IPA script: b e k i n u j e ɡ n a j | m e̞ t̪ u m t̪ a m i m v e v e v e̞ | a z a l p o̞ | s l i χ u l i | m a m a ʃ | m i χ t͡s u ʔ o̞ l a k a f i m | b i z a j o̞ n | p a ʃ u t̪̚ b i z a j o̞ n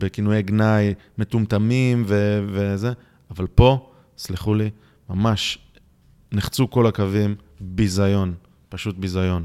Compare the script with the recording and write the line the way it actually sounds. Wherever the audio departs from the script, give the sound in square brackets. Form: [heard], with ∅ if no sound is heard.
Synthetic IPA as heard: b e k i n u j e ɡ n a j | m e̞ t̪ u m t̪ a m i m v e v e [z] e̞ | a [v] a l p o̞ | s l i χ u l i | m a m a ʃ | [n] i χ t͡s u [k] o̞ l a k a [v] i m | b i z a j o̞ n | p a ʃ u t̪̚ b i z a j o̞ n